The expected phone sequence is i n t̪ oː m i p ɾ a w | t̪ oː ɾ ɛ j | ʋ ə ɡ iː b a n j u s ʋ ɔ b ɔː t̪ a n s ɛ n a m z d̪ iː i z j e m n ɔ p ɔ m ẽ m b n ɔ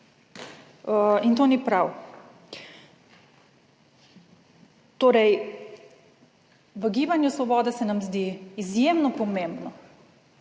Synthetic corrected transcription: i n t̪ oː n i p ɾ a w | t̪ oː ɾ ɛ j | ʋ ə ɡ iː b a n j u s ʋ ɔ b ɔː d̪ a s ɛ n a m z d̪ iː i z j e m n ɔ p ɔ m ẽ m b n ɔ